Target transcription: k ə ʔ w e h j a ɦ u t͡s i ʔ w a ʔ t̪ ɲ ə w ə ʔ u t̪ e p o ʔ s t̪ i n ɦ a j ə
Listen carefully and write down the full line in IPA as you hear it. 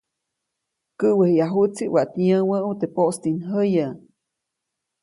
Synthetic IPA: k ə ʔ w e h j a ɦ u t͡s i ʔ w a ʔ t̪ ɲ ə w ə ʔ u t̪ e p o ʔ s t̪ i n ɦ ə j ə